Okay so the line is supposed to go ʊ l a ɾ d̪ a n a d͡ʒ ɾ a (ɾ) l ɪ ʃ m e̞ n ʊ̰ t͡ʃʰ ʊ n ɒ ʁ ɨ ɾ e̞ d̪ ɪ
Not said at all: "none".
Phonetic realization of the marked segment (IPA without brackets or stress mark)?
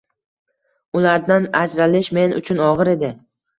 none